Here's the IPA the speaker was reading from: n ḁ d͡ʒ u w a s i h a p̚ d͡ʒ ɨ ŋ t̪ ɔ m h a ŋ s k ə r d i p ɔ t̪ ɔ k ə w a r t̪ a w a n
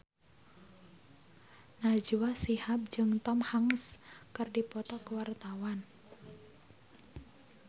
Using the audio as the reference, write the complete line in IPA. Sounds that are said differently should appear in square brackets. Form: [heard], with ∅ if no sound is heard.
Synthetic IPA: n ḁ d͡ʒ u w a s i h a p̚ d͡ʒ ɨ ŋ t̪ ɔ m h a ŋ s k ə r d i p ɔ t̪ ɔ k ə w a r t̪ a w a n